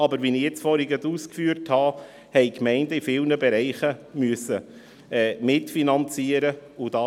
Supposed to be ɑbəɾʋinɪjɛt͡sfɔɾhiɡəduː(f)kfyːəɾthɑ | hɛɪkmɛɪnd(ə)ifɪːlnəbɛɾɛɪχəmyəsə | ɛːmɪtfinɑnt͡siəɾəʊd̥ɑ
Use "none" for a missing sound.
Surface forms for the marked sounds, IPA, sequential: s, ə

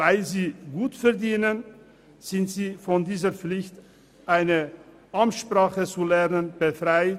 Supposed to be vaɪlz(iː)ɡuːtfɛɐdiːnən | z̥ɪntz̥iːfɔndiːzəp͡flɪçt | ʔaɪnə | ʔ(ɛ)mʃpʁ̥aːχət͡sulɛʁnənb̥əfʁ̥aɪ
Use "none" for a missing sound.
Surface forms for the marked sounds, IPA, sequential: iː, a

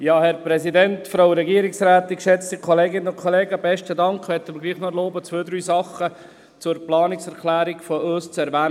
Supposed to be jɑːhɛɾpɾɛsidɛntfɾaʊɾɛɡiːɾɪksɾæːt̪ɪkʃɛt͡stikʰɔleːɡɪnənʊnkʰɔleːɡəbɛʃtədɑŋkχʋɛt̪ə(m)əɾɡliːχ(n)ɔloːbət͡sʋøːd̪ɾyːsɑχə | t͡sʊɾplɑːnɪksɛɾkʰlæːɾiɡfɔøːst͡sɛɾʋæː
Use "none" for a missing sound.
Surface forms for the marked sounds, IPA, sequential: m, n

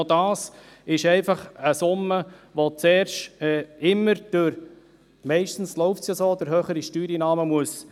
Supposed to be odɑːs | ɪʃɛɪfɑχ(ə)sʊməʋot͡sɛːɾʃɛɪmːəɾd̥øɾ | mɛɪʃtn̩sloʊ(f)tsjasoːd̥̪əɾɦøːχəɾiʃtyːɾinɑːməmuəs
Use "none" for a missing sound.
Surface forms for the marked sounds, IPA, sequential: ə, f

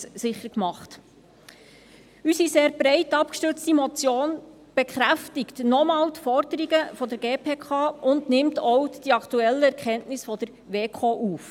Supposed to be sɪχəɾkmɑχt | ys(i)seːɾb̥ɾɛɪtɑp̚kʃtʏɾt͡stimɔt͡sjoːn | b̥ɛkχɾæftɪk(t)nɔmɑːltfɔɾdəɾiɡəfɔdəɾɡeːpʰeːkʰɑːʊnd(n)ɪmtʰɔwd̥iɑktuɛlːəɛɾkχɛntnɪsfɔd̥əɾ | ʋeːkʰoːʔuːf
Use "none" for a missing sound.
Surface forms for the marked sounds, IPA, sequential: i, t, n

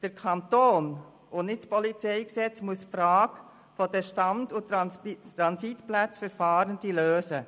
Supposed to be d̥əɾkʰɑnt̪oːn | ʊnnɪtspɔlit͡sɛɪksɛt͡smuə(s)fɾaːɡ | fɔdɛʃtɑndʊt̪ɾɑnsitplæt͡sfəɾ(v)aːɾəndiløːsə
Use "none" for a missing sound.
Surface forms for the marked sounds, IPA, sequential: s, f

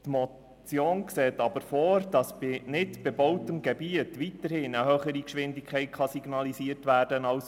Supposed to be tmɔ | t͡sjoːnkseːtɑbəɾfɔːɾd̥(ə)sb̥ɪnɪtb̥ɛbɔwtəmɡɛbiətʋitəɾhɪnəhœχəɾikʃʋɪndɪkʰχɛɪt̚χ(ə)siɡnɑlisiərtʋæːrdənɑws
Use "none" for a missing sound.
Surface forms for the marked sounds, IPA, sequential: ɑ, ɑ

